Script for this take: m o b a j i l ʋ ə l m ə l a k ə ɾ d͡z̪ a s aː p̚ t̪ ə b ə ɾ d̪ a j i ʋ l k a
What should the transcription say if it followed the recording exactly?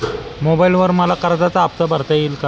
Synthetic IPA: m o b a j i l ʋ ə ɾ m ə l a k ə ɾ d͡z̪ a t͡s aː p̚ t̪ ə b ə ɾ t̪ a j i l k a